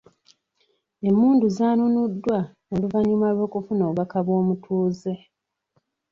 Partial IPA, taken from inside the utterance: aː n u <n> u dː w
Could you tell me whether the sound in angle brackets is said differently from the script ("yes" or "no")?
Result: no